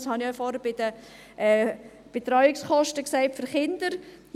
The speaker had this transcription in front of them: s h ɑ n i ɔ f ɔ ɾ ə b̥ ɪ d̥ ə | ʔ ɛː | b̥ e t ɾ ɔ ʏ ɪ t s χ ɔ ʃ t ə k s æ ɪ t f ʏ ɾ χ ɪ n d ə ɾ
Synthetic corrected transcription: s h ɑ n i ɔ f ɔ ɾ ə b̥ ɪ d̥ ə | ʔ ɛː | b̥ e t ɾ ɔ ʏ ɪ k s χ ɔ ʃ t ə k s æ ɪ t f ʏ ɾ χ ɪ n d ə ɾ